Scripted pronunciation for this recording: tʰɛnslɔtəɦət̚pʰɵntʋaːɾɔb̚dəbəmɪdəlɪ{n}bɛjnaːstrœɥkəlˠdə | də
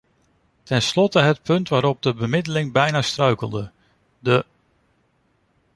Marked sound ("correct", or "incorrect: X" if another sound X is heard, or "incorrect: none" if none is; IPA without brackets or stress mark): incorrect: ŋ